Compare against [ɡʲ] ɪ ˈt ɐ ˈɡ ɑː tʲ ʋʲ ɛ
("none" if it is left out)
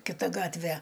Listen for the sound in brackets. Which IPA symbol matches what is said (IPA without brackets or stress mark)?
kʲ